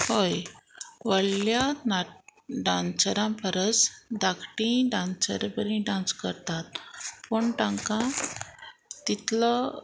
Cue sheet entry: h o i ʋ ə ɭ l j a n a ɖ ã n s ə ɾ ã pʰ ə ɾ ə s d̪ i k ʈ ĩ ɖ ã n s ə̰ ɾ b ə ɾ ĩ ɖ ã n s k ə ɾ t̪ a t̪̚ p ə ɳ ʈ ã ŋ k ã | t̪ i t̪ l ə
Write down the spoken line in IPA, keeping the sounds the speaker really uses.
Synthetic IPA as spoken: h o j ʋ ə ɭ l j a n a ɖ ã n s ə ɾ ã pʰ ə ɾ ə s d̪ a k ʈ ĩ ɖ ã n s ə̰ ɾ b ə ɾ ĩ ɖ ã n s k ə ɾ t̪ a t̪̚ p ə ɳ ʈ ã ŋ k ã | t̪ i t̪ l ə